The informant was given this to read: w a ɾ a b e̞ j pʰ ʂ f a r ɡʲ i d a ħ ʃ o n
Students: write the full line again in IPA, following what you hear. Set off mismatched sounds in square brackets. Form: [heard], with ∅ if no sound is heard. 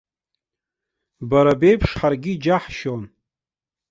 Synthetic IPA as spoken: [b] a ɾ a b e̞ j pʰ ʂ [ħ] a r ɡʲ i [d͡ʒ] a ħ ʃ o n